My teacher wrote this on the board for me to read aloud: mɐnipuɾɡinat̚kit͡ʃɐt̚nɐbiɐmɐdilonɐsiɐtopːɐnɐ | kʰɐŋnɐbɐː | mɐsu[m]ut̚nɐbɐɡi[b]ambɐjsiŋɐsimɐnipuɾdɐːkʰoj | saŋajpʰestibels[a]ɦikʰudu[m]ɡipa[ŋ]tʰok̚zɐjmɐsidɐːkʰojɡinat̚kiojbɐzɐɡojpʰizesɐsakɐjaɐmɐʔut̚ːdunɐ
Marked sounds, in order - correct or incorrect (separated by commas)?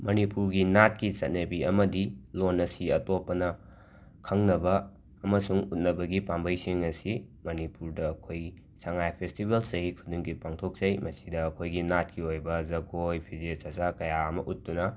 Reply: incorrect, incorrect, incorrect, incorrect, correct